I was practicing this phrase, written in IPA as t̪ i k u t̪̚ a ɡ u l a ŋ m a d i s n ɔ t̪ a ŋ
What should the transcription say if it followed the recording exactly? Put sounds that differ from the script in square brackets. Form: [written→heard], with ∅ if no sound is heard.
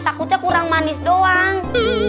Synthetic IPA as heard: t̪ [i→a] k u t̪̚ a [ɡ→k] u [l→ɾ] a ŋ m a [d→n] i s [n→d] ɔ [t̪→∅] a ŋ